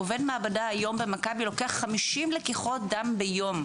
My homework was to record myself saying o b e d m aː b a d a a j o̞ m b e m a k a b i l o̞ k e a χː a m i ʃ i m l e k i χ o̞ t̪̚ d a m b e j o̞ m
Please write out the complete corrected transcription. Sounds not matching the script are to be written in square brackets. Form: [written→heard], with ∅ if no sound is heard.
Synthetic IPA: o [b→v] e d m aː b a d a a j o̞ m b e m a k a b i l o̞ k e a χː a m i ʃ i m l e k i χ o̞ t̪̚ d a m b e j o̞ m